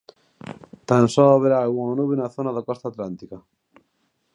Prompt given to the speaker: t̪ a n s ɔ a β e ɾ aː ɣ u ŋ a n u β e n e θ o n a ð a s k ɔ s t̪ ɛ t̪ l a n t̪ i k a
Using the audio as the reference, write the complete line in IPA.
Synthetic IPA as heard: t̪ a n s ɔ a β e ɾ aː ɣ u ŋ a n u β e n a θ o n a ð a k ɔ s t̪ a t̪ l a n t̪ i k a